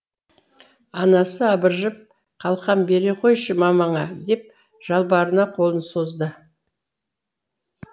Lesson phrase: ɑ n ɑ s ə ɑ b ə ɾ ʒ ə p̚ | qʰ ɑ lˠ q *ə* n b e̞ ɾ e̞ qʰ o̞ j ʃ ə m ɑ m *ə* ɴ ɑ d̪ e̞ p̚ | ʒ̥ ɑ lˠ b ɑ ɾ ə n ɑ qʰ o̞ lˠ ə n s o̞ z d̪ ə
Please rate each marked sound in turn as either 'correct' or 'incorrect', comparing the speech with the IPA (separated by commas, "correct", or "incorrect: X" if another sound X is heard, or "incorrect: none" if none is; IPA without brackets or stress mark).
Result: incorrect: ɑ, incorrect: ɑ